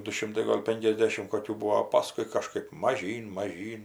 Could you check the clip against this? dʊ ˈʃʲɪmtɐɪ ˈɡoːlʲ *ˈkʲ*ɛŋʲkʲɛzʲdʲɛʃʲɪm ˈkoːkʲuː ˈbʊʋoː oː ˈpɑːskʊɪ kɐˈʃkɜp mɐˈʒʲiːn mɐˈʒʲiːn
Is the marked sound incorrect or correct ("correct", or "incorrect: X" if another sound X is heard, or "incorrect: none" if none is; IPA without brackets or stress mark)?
incorrect: pʲ